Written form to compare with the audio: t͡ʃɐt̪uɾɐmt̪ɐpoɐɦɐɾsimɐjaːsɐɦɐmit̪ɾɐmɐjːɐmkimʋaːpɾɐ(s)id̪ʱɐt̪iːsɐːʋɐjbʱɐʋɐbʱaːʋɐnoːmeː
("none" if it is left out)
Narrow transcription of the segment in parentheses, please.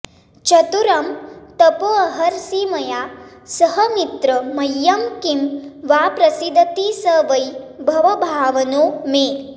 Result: s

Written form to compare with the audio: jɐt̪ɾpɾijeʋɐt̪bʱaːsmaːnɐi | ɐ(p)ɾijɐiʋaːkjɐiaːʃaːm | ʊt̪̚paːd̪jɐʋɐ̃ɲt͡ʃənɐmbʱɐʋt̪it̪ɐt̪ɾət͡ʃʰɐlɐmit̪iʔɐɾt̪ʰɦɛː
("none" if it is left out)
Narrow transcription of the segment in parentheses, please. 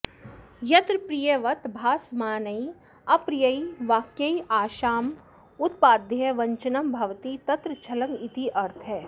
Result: p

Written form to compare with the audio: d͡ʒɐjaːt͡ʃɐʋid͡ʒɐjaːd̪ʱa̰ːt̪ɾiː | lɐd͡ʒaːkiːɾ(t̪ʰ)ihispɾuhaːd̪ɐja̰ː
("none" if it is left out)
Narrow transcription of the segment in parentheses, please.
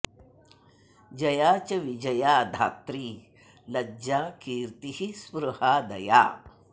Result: t̪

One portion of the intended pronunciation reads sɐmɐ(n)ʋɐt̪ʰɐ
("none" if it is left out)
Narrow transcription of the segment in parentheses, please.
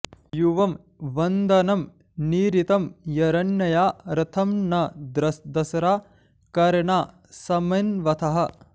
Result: n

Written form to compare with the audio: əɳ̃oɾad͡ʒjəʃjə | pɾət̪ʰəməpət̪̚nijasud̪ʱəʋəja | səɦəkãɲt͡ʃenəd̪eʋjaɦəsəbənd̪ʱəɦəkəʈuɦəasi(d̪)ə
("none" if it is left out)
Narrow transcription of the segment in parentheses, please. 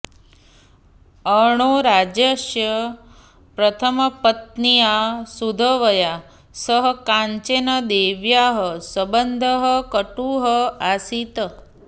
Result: t̪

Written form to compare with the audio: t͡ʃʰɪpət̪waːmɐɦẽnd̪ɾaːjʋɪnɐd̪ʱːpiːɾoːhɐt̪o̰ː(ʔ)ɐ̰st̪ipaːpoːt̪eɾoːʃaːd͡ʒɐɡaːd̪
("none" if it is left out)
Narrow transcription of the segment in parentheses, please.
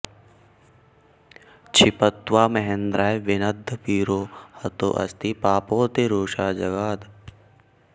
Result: ʔ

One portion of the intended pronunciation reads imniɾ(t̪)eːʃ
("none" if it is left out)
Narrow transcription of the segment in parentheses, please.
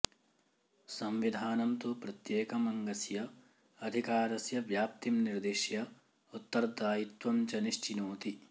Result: d̪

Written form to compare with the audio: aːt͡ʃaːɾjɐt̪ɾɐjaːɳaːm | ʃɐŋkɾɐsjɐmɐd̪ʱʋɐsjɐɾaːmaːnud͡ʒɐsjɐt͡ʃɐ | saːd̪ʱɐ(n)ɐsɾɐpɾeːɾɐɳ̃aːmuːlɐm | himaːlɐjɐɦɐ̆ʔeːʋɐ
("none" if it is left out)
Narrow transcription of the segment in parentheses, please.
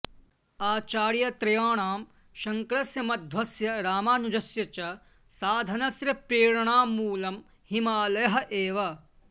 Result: n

